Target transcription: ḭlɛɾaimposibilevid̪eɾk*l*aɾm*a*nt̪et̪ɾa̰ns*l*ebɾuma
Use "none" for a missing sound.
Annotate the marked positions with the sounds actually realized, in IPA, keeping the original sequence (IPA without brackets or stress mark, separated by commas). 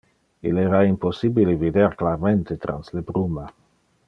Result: l, e, l